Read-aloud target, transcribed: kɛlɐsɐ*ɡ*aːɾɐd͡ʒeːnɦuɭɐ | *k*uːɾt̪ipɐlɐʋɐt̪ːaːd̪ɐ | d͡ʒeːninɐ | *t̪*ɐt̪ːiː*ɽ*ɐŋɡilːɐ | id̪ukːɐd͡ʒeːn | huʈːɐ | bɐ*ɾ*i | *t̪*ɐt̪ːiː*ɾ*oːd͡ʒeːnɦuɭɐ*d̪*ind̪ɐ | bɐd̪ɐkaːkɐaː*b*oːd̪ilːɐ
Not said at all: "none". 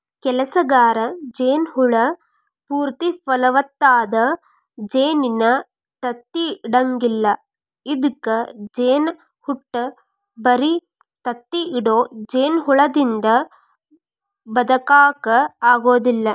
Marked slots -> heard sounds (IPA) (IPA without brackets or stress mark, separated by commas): ɡ, p, t̪, ɽ, ɾ, t̪, ɽ, d̪, ɡ